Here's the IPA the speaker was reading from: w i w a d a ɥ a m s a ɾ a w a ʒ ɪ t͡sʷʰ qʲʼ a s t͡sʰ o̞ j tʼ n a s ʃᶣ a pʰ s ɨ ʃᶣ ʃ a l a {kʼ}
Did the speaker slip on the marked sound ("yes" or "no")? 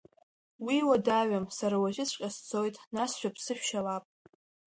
yes